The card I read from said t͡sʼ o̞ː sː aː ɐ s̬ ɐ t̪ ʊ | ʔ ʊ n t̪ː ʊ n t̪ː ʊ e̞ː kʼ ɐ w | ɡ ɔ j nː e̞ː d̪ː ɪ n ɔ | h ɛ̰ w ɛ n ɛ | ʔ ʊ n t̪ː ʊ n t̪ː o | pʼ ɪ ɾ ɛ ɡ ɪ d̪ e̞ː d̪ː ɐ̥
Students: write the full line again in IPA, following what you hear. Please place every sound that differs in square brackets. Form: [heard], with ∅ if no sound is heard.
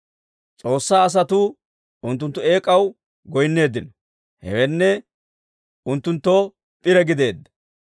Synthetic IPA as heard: t͡sʼ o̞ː sː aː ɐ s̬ ɐ t̪ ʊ | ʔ ʊ n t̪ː ʊ n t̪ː ʊ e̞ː kʼ ɐ w | ɡ ɔ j nː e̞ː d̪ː ɪ n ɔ | h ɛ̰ w ɛ [nː] ɛ | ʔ ʊ n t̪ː ʊ n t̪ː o | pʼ ɪ ɾ ɛ ɡ ɪ d̪ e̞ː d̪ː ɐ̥

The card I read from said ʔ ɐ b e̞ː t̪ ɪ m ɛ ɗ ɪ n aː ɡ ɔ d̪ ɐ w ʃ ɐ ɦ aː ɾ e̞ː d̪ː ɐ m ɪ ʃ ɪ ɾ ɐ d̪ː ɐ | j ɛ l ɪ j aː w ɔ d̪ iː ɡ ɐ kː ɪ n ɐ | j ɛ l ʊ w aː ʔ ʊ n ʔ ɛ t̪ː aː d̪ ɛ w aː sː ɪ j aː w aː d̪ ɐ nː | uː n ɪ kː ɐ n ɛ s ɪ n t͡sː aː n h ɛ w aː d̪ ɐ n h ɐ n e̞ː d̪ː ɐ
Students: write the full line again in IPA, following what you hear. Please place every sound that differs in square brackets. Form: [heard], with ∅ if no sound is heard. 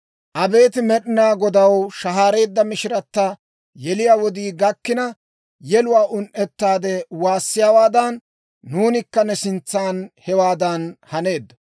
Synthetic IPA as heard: ʔ ɐ b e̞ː t̪ ɪ m ɛ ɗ ɪ n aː ɡ ɔ d̪ ɐ w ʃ ɐ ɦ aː ɾ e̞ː d̪ː ɐ m ɪ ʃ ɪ ɾ ɐ [t̪ː] ɐ | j ɛ l ɪ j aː w ɔ d̪ iː ɡ ɐ kː ɪ n ɐ | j ɛ l ʊ w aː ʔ ʊ n ʔ ɛ t̪ː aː d̪ ɛ w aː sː ɪ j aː w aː d̪ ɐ nː | uː n ɪ kː ɐ n ɛ s ɪ n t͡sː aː n h ɛ w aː d̪ ɐ n h ɐ n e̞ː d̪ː ɐ

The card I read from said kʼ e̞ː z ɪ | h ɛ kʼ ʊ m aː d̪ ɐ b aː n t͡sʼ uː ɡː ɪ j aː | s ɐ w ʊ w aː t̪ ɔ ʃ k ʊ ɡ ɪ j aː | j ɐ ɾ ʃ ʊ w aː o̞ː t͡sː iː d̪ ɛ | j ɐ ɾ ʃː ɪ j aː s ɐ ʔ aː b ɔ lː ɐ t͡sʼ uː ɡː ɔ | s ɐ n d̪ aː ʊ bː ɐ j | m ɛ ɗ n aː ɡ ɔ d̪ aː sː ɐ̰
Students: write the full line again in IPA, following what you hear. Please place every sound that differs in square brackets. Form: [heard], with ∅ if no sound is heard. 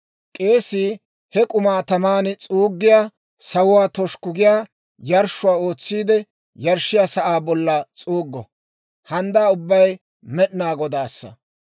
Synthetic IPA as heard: kʼ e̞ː [s] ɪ | h ɛ kʼ ʊ m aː [t̪] ɐ [m] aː n t͡sʼ uː ɡː ɪ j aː | s ɐ w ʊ w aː t̪ ɔ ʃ k ʊ ɡ ɪ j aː | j ɐ ɾ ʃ ʊ w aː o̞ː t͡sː iː d̪ ɛ | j ɐ ɾ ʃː ɪ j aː s ɐ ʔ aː b ɔ lː ɐ t͡sʼ uː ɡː ɔ | [h] ɐ n d̪ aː ʊ bː ɐ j | m ɛ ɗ n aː ɡ ɔ d̪ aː sː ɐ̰

